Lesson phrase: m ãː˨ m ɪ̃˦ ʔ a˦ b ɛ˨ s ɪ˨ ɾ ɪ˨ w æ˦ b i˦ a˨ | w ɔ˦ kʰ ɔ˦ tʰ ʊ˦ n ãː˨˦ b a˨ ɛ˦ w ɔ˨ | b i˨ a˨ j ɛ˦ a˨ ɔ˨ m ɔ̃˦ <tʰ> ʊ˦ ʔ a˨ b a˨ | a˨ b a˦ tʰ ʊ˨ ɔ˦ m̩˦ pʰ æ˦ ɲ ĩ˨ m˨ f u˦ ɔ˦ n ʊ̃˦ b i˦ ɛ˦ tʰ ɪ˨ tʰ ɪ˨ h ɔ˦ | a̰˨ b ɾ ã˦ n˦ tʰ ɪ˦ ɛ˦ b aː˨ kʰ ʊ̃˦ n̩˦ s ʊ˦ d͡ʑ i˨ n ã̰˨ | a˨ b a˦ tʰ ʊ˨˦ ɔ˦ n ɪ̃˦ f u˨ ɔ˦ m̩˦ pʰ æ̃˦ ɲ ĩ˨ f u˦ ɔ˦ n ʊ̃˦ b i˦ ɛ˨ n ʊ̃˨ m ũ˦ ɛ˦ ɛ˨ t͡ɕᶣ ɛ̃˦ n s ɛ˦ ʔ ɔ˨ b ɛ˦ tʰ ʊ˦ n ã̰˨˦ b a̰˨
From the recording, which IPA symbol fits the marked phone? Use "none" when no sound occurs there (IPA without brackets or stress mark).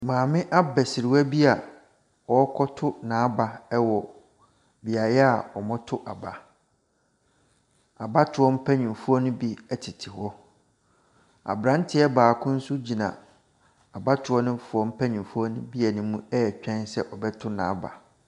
tʰ